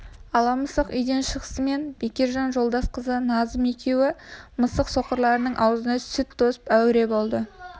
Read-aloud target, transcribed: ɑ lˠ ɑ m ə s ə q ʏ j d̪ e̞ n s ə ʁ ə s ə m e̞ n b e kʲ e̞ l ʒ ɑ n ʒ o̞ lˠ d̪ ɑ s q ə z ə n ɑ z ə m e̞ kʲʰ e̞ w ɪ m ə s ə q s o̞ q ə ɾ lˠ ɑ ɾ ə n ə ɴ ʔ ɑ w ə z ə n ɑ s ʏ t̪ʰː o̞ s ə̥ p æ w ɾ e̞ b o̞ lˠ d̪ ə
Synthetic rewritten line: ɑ lˠ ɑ m ə s ə q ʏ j d̪ e̞ n ʃ ə ʁ ə s ə m e̞ n b e kʲ e̞ ɾ ʒ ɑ n ʒ o̞ lˠ d̪ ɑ s q ə z ə n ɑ z ə m e̞ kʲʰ e̞ w ɪ m ə s ə q s o̞ q ə ɾ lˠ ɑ ɾ ə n ə ɴ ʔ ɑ w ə z ə n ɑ s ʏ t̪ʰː o̞ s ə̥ p æ w ɾ e̞ b o̞ lˠ d̪ ə